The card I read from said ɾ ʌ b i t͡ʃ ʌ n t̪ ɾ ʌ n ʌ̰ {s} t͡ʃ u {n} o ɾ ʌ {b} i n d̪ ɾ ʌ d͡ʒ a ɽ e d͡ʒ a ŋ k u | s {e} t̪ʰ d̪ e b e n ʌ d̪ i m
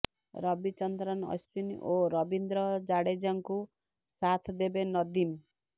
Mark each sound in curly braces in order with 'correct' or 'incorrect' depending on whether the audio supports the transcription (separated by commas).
correct, correct, correct, incorrect